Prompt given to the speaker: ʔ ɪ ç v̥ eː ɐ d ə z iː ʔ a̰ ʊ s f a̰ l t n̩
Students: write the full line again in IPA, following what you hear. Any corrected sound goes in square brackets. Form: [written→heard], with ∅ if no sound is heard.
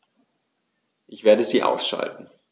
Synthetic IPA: ʔ ɪ ç v̥ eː ɐ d ə z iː ʔ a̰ ʊ s [f→ʃ] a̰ l t n̩